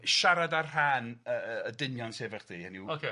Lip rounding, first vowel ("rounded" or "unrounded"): unrounded